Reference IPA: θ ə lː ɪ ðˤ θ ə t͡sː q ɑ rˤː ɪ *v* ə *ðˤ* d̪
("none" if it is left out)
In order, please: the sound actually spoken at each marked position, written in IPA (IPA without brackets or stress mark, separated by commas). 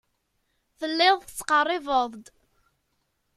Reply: v, ðˤ